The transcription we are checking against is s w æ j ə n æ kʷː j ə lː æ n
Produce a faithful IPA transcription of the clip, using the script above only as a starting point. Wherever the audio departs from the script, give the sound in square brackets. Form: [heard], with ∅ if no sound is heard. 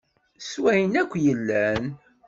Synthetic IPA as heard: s w æ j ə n æ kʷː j ə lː æ n